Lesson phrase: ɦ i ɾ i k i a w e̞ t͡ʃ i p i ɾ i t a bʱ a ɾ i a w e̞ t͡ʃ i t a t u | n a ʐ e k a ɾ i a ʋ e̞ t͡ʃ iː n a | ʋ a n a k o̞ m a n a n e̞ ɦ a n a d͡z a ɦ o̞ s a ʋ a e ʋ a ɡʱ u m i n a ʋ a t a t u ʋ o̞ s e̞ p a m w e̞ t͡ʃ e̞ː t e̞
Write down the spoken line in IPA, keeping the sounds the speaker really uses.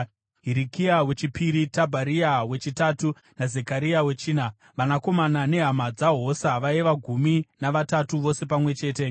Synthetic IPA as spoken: ɦ i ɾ i k i a w e̞ t͡ʃ i p i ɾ i t a bʱ a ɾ i a w e̞ t͡ʃ i t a t u | n a z e k a ɾ i a w e̞ t͡ʃ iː n a | ʋ a n a k o̞ m a n a n e̞ ɦ a m a d͡z a ɦ o̞ s a ʋ a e ʋ a ɡʱ u m i n a ʋ a t a t u ʋ o̞ s e̞ p a m w e̞ t͡ʃ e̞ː t e̞